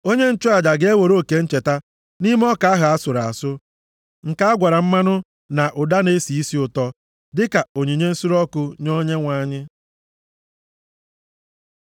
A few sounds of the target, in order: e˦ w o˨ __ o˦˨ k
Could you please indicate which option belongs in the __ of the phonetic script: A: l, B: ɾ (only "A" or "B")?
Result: B